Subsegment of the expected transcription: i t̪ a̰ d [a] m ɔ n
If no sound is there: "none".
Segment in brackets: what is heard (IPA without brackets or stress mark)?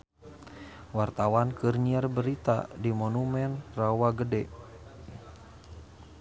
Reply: i